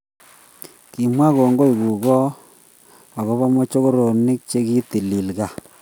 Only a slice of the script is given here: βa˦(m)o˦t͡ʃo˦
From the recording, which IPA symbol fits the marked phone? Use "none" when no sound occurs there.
m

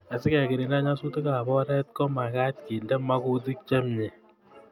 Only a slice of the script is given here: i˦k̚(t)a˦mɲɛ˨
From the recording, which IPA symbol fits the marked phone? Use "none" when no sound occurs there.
t͡ʃ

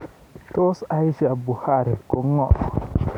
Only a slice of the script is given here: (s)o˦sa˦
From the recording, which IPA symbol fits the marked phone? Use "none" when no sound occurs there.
t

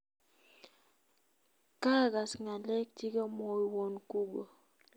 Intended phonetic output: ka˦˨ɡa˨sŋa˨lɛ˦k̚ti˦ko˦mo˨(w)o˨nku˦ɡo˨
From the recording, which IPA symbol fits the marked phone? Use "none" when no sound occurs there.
w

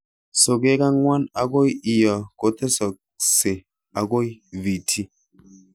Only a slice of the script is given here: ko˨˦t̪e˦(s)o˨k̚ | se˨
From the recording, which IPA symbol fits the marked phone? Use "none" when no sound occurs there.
s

